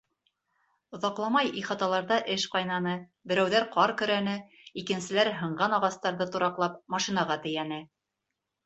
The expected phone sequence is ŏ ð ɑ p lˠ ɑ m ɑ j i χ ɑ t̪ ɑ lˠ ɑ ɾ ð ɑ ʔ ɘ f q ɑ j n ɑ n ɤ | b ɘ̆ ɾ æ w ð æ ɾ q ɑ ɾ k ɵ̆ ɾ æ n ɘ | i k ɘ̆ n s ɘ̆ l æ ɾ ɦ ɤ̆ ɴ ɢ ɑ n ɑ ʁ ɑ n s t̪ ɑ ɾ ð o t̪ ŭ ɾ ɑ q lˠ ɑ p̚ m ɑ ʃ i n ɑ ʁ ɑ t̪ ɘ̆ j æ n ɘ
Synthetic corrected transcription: ŏ ð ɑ q lˠ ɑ m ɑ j i χ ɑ t̪ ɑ lˠ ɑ ɾ ð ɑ ʔ ɘ ʃ q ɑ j n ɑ n ɤ | b ɘ̆ ɾ æ w ð æ ɾ q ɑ ɾ k ɵ̆ ɾ æ n ɘ | i k ɘ̆ n s ɘ̆ l æ ɾ ɦ ɤ̆ ɴ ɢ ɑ n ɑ ʁ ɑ s t̪ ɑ ɾ ð ɤ t̪ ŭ ɾ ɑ q lˠ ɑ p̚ m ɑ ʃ i n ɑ ʁ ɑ t̪ ɘ̆ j æ n ɘ